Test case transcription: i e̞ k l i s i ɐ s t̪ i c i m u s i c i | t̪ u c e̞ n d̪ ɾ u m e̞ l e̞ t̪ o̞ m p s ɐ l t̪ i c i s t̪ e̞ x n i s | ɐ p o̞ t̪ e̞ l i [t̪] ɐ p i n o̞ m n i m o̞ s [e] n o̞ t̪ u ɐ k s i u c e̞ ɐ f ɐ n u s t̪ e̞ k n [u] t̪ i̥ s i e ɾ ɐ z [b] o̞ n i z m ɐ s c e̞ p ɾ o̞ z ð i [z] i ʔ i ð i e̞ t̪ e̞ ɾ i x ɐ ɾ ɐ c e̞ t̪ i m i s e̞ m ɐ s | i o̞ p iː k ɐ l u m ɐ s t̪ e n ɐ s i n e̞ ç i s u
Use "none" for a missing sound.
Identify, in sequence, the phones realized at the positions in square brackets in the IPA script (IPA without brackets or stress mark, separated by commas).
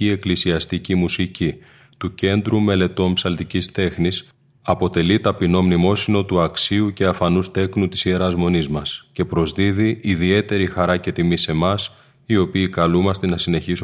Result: t̪, i, u, m, ð